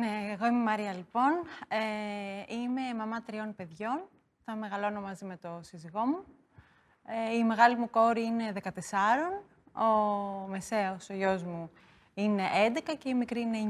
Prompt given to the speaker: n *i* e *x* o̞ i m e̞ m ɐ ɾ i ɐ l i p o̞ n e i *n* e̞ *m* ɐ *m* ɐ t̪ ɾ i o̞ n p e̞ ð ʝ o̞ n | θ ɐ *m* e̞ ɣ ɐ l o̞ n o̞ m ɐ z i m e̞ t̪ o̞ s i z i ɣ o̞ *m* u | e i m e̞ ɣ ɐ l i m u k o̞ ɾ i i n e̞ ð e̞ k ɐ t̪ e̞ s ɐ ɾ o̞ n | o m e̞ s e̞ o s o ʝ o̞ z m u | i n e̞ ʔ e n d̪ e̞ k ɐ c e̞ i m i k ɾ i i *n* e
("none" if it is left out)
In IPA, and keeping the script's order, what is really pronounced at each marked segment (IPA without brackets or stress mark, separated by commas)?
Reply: e, ɣ, m, m, m, m, m, n